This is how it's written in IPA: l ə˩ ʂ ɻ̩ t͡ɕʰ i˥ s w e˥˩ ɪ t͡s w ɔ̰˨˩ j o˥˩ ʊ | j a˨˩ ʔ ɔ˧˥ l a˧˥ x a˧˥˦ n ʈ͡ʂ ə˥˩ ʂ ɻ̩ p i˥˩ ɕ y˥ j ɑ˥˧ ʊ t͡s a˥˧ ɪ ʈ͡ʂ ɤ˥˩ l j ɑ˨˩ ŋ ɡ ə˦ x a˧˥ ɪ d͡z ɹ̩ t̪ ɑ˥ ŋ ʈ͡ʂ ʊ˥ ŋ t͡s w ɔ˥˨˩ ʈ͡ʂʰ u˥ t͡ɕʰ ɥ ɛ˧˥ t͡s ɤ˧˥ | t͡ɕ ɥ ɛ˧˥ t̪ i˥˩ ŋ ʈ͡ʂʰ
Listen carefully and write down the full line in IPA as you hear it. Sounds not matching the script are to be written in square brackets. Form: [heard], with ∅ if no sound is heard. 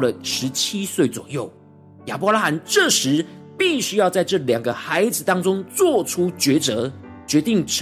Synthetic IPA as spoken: l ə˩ ʂ ɻ̩ t͡ɕʰ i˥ s w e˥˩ ɪ t͡s w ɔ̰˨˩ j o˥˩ ʊ | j a˨˩ [p] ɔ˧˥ l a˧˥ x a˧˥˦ n ʈ͡ʂ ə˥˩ ʂ ɻ̩ p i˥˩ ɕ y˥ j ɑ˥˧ ʊ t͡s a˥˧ ɪ ʈ͡ʂ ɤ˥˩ l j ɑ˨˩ ŋ ɡ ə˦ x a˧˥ ɪ d͡z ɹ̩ t̪ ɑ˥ ŋ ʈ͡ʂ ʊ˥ ŋ t͡s w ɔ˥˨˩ ʈ͡ʂʰ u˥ [t͡ɕ] ɥ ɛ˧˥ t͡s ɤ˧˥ | t͡ɕ ɥ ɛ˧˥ t̪ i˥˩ ŋ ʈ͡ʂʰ